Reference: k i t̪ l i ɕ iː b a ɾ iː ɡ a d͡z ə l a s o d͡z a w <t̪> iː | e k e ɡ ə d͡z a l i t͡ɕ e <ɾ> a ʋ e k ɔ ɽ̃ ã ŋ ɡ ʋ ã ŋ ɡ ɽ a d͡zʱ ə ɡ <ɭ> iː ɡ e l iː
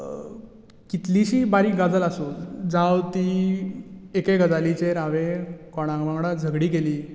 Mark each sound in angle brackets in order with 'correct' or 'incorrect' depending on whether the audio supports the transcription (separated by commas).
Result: correct, correct, incorrect